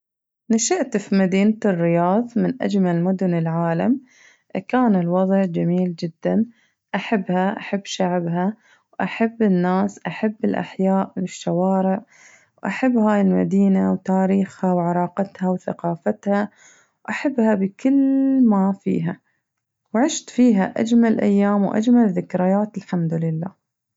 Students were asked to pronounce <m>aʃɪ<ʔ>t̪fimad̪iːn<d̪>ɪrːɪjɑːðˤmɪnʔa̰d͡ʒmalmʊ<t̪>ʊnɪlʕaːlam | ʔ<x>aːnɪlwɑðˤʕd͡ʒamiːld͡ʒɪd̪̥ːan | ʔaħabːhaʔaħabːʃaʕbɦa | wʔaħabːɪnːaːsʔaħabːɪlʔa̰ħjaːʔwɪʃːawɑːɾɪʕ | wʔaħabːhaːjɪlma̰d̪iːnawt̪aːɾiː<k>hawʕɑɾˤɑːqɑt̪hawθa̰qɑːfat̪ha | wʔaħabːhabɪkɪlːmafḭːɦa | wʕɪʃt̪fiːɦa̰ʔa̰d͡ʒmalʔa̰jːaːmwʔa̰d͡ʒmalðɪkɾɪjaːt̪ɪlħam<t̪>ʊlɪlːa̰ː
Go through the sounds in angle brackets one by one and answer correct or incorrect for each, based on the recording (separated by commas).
incorrect, correct, incorrect, incorrect, incorrect, incorrect, incorrect